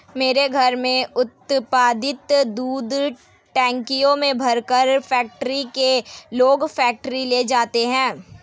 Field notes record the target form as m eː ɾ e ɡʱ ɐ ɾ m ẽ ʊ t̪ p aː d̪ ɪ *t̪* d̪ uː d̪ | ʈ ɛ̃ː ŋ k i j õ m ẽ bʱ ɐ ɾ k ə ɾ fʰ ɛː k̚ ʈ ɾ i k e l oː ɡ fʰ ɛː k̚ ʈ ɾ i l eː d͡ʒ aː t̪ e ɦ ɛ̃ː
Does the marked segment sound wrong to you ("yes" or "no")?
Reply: no